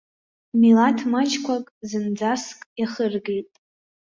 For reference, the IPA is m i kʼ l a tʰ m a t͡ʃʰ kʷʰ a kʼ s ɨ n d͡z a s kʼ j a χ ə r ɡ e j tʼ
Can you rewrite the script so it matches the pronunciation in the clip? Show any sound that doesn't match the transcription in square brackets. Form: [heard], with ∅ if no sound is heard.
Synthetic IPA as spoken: m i [∅] l a tʰ m a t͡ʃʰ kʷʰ a kʼ [z] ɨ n d͡z a s kʼ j a χ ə r ɡ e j tʼ